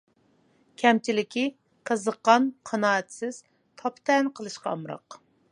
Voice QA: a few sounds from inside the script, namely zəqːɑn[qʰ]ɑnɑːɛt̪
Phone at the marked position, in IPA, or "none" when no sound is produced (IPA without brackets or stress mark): qʰ